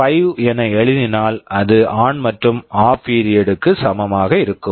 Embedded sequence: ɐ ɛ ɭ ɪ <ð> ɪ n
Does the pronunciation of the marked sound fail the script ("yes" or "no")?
no